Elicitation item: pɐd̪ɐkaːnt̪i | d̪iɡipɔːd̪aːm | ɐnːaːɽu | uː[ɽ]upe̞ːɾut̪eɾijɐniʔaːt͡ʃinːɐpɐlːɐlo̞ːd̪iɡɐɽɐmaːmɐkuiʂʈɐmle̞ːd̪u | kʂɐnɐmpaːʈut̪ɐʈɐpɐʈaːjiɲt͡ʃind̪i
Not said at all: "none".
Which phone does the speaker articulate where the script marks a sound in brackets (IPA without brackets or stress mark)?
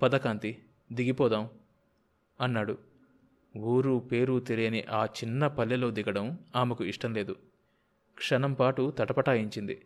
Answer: ɾ